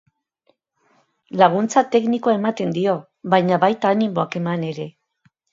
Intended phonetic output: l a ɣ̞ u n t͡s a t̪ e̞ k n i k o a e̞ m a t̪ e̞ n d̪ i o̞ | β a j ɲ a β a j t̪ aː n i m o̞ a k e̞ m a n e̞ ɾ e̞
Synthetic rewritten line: l a ɣ̞ u n t͡s a t̪ e̞ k n i k o a e̞ m a t̪ e̞ n d̪ i o̞ | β a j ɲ a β a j t̪ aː n i m o̞ a k e̞ m a n e̞ ɾ e̞